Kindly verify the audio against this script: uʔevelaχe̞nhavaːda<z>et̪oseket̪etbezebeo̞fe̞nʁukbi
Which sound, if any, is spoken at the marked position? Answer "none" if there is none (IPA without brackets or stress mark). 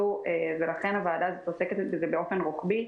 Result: z